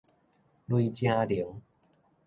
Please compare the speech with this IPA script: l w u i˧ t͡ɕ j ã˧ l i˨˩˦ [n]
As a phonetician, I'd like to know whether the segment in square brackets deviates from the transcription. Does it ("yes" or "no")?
yes